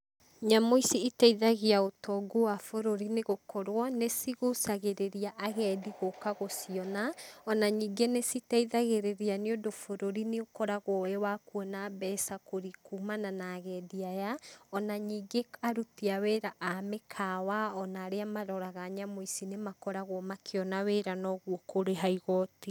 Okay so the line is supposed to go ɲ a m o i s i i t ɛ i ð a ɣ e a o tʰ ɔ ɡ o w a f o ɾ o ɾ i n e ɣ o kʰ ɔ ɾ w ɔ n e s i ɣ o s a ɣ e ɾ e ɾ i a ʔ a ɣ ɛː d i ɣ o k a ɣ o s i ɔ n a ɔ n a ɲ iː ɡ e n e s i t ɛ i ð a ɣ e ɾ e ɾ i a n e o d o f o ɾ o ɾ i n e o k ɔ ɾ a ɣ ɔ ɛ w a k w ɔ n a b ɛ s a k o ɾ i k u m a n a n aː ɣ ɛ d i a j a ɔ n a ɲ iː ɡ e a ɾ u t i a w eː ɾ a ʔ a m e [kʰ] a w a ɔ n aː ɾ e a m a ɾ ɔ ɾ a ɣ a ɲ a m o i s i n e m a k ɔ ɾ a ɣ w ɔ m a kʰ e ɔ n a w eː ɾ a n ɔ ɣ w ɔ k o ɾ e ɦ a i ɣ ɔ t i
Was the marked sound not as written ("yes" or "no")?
no